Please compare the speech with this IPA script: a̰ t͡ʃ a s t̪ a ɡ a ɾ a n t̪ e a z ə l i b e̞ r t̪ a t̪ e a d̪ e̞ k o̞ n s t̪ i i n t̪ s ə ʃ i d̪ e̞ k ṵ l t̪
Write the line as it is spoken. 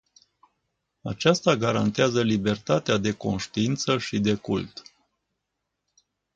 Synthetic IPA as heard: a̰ t͡ʃ a s t̪ a ɡ a ɾ a n t̪ e a z ə l i b e̞ r t̪ a t̪ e a d̪ e̞ k o̞ n ʃ t̪ i i n t̪ s ə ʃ i d̪ e̞ k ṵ l t̪